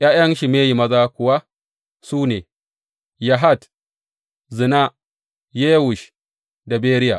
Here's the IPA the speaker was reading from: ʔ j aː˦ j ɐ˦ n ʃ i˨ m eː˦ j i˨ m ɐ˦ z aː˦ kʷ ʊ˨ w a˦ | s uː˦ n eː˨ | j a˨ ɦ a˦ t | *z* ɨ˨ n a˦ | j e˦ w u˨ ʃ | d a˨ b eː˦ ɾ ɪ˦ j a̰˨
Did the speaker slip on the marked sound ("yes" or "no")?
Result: no